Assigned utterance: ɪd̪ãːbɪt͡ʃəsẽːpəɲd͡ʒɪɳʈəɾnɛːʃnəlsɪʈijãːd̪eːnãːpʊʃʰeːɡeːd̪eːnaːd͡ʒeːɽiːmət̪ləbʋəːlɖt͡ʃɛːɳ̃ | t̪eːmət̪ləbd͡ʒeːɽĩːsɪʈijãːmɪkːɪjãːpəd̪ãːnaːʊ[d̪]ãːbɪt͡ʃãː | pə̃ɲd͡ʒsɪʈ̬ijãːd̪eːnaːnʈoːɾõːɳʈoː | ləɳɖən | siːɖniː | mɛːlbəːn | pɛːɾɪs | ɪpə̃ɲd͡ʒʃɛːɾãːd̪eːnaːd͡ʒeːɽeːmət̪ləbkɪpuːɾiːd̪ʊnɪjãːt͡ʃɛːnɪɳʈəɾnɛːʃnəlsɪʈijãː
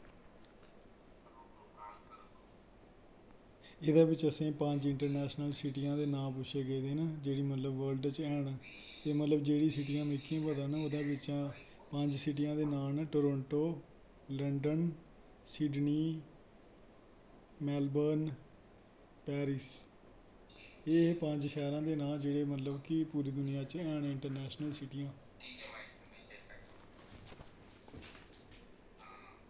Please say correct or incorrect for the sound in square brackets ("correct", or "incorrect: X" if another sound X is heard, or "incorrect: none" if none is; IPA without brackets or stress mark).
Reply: correct